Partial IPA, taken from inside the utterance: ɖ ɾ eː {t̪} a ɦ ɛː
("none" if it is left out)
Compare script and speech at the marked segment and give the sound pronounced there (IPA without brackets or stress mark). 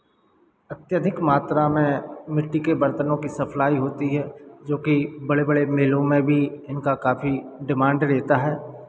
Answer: t̪